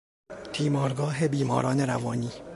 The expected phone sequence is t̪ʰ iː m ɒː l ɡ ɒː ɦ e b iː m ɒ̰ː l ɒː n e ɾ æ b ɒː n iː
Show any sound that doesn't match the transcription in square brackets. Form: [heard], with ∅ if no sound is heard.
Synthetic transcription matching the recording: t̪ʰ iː m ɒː [ɾ] ɡ ɒː ɦ e b iː m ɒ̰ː [ɾ] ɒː n e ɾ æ [v] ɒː n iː